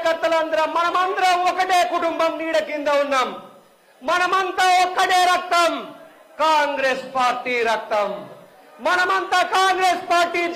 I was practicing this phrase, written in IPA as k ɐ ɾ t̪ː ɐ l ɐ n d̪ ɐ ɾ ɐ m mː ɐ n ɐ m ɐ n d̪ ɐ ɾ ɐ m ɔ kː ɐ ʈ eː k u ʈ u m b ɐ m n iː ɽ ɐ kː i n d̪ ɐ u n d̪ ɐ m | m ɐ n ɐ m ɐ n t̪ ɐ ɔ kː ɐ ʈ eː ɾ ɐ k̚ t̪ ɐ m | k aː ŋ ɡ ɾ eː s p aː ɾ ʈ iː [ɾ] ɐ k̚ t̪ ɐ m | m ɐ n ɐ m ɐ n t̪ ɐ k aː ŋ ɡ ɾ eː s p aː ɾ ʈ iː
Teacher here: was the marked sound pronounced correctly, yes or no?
yes